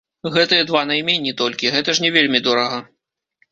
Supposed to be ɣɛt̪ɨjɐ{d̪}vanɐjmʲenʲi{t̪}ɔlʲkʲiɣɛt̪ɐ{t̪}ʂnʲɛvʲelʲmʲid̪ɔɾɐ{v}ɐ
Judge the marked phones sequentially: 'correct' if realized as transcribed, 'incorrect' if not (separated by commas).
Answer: correct, correct, incorrect, incorrect